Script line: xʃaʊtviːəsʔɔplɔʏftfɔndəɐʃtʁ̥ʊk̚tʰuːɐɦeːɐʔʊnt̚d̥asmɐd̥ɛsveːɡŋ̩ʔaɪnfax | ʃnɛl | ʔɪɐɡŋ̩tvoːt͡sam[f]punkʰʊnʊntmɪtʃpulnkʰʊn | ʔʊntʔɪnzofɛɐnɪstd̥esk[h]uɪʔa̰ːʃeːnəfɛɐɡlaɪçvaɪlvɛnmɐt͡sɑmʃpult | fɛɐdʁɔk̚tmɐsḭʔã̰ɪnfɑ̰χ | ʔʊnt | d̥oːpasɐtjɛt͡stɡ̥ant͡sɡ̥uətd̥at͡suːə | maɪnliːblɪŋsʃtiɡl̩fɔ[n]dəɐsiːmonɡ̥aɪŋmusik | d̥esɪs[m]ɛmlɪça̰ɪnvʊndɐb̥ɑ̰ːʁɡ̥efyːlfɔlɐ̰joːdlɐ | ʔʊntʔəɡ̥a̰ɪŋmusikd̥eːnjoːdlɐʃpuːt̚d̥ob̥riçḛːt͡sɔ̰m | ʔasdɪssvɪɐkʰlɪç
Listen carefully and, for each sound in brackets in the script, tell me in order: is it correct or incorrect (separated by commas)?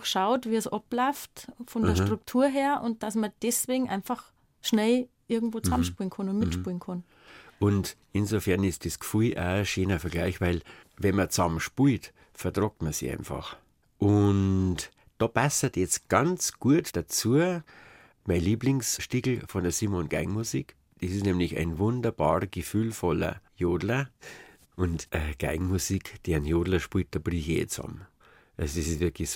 incorrect, incorrect, correct, incorrect